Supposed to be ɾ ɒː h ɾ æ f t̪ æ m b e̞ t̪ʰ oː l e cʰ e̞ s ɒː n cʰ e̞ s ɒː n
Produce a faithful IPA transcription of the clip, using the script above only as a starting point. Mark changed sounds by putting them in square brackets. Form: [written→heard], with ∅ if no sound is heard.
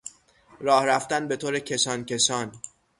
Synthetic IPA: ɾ ɒː h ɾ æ f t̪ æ [m→n] b e̞ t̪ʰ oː [l→ɾ] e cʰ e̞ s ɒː n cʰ e̞ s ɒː n